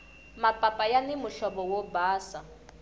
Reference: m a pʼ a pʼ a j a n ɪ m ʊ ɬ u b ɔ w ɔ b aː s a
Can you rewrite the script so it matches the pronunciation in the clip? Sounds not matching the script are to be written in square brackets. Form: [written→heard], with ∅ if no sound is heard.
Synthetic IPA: m a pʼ a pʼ a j a n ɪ m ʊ ɬ [u→ɔ] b ɔ w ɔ b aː s a